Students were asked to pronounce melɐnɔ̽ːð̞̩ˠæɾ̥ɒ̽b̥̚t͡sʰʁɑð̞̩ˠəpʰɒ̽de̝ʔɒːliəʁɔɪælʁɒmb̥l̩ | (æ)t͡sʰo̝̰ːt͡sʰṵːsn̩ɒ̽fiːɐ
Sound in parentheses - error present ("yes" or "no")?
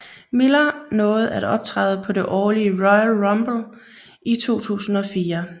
yes